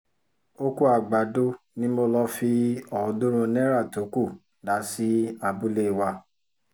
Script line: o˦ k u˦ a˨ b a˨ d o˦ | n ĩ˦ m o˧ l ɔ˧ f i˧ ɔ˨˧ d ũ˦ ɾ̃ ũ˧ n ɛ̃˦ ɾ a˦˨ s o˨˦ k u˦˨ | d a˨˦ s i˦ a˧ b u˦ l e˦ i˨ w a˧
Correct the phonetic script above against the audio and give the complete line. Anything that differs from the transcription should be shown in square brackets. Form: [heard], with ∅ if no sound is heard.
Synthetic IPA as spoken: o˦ k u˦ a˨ [ɡ͡b] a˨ d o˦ | n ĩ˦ m o˧ l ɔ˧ f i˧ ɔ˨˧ d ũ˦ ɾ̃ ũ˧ n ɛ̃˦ ɾ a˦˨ [t] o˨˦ k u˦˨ | d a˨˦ s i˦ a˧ b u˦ l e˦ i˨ w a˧